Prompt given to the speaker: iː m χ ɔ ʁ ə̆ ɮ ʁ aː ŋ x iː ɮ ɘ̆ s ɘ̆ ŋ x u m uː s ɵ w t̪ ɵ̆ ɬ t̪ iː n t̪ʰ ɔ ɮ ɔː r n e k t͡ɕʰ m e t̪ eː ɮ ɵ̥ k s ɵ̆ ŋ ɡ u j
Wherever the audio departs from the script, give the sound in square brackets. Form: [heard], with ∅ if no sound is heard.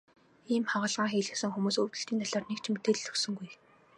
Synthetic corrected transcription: iː m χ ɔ ʁ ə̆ ɮ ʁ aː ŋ x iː ɮ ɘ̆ s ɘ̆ ŋ x u m uː s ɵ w t̪ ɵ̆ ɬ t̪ iː n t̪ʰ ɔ ɮ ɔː r n e k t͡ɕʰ m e t̪ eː ɮ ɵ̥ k s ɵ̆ ŋ ɡ u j